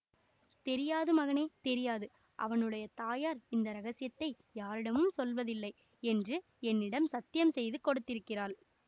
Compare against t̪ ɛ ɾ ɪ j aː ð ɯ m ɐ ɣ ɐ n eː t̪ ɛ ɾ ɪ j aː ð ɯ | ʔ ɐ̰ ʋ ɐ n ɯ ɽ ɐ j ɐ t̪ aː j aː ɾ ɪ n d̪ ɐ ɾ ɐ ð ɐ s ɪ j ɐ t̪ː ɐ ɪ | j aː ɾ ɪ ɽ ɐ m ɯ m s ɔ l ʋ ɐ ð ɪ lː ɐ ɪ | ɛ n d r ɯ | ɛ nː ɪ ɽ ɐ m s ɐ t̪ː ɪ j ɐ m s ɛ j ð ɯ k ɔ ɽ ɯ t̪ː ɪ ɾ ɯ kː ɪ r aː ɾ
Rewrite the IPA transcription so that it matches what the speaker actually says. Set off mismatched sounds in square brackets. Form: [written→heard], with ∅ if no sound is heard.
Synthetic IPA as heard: t̪ ɛ ɾ ɪ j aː ð ɯ m ɐ ɣ ɐ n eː t̪ ɛ ɾ ɪ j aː ð ɯ | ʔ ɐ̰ ʋ ɐ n ɯ ɽ ɐ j ɐ t̪ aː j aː ɾ ɪ n d̪ ɐ ɾ ɐ [ð→ɣ] ɐ s ɪ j ɐ t̪ː ɐ ɪ | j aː ɾ ɪ ɽ ɐ m ɯ m s ɔ l ʋ ɐ ð ɪ lː ɐ ɪ | ɛ n d r ɯ | ɛ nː ɪ ɽ ɐ m s ɐ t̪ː ɪ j ɐ m s ɛ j ð ɯ k ɔ ɽ ɯ t̪ː ɪ ɾ ɯ kː ɪ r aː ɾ